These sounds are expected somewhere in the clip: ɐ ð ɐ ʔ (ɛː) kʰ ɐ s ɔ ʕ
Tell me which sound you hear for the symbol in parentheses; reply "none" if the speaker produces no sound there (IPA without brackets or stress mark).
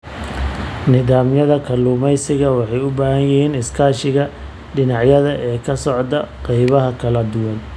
ɛː